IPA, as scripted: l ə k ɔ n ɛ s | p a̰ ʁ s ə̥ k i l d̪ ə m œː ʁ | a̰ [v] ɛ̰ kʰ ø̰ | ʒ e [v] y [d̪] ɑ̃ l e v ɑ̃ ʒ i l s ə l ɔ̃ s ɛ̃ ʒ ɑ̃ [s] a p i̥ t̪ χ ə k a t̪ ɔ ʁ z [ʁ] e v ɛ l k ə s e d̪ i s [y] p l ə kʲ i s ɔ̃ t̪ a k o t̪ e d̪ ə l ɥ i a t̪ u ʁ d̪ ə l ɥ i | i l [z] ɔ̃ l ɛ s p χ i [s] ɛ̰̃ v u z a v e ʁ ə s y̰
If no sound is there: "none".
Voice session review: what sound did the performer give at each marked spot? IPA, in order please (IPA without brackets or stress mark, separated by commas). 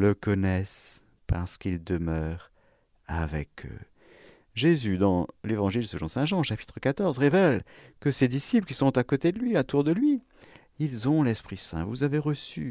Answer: v, z, d̪, ʃ, ʁ, i, z, s